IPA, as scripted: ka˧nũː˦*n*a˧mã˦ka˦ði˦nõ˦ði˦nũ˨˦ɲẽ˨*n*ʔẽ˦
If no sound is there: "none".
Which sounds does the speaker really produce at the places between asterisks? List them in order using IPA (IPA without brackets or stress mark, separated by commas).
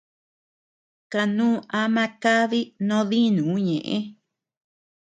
none, none